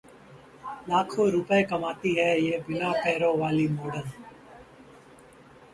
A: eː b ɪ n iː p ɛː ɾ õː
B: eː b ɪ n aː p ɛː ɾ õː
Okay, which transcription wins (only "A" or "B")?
B